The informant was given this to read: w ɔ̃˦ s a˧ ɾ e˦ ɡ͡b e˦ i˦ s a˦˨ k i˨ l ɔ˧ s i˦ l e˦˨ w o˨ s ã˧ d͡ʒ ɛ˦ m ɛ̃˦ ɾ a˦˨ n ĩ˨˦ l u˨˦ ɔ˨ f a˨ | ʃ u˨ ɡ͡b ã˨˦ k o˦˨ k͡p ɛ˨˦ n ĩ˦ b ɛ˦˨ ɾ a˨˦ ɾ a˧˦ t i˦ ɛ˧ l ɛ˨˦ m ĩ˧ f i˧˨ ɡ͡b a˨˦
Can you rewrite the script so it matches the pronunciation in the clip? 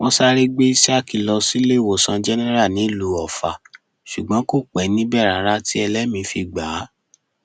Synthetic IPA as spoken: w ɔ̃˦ s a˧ ɾ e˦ ɡ͡b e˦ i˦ s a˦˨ k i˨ l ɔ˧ s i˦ l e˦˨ w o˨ s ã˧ d͡ʒ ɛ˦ n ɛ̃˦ ɾ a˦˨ n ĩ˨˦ l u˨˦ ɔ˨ f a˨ | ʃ u˨ ɡ͡b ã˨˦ k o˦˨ k͡p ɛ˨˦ n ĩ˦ b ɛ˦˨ ɾ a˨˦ ɾ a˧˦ t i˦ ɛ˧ l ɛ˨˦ m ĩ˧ f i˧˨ ɡ͡b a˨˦